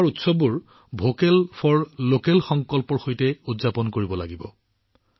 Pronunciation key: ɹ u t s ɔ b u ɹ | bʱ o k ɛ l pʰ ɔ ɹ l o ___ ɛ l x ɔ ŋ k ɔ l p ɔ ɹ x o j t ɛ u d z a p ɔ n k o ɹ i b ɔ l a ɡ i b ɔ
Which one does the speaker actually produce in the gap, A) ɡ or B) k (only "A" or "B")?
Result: B